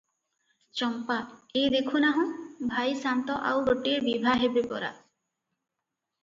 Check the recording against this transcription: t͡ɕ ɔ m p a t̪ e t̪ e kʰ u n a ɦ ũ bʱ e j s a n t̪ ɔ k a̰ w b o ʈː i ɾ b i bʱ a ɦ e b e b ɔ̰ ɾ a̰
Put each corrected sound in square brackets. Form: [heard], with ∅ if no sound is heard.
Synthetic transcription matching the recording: t͡ɕ ɔ m p a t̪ e [d̪] e kʰ u n a ɦ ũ bʱ [a] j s a n t̪ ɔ [ʔ] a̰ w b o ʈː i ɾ b i bʱ a ɦ e b e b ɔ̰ ɾ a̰